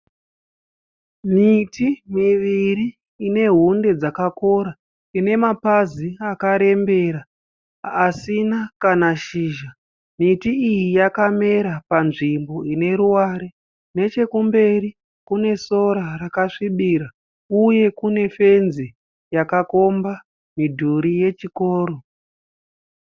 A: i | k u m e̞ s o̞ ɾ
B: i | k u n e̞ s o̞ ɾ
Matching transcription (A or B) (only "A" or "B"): B